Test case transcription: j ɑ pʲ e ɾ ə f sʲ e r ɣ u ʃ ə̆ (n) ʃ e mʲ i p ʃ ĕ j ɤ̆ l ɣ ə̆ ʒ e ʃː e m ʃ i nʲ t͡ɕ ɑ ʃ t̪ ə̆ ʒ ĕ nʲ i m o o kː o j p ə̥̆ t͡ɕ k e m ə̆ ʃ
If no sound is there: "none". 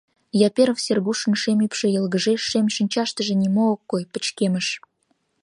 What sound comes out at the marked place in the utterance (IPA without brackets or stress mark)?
n